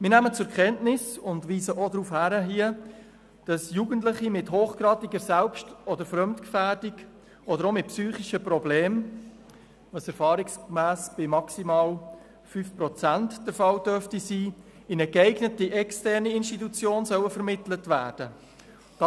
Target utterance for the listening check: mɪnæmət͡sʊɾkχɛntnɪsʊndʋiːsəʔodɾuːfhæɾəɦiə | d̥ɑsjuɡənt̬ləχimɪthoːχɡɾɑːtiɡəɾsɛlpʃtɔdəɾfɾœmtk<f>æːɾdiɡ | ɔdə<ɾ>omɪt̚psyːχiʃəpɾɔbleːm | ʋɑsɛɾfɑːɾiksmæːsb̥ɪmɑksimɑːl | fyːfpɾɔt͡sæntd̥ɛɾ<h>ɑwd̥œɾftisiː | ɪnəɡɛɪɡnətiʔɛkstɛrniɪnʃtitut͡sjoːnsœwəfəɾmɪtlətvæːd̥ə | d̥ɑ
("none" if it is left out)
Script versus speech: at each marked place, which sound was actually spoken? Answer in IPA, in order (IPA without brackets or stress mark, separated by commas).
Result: f, ɾ, f